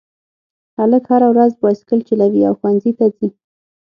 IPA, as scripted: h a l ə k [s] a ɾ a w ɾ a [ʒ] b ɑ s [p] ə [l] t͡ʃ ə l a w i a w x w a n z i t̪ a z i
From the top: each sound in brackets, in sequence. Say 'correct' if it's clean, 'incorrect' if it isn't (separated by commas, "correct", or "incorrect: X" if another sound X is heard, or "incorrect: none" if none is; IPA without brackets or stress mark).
incorrect: h, incorrect: z, incorrect: k, correct